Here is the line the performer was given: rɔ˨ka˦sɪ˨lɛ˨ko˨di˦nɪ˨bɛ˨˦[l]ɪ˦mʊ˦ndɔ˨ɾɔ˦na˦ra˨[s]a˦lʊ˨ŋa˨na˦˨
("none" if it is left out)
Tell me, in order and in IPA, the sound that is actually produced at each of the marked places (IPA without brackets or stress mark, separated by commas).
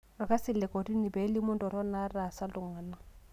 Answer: l, s